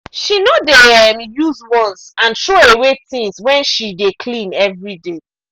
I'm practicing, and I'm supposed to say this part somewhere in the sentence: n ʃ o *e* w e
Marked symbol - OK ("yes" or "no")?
yes